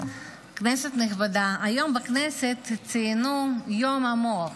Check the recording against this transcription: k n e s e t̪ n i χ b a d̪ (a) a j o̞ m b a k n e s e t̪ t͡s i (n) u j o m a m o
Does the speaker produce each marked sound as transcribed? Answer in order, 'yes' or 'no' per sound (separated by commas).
yes, yes